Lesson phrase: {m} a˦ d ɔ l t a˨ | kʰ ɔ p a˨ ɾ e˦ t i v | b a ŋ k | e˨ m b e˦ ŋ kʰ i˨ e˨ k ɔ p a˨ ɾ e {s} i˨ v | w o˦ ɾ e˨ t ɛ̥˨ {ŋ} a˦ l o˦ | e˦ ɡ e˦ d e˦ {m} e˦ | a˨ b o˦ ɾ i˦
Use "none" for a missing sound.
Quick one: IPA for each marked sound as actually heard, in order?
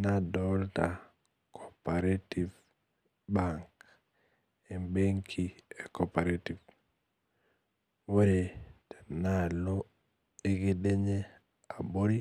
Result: n, t, n, ɲ

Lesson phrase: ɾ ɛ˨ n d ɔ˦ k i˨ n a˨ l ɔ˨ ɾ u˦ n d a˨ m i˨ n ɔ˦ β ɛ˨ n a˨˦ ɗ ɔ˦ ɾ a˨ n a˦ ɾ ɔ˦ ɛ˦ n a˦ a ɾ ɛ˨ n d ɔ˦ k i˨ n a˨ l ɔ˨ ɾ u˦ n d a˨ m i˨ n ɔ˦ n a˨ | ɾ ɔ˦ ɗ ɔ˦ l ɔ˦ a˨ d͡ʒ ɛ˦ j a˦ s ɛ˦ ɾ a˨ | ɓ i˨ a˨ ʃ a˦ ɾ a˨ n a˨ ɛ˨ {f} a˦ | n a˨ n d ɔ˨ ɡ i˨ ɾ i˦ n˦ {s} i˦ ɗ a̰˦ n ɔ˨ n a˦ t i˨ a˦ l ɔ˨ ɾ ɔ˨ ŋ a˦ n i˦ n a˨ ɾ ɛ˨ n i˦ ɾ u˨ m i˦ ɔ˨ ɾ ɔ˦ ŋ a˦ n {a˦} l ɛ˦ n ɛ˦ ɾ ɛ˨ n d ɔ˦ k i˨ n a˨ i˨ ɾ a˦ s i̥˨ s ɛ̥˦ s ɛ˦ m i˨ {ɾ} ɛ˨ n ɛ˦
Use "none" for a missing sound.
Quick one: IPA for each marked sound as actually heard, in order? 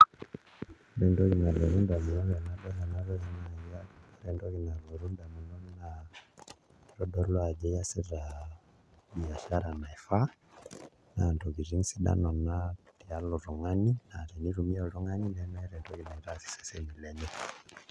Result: f, s, i˦, l

